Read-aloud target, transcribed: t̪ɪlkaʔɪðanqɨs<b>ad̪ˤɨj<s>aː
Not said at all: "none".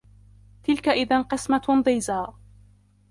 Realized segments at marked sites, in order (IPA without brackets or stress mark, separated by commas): m, z